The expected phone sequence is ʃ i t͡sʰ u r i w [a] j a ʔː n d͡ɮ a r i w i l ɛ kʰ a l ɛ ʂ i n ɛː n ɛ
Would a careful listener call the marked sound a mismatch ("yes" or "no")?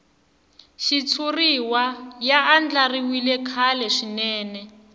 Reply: no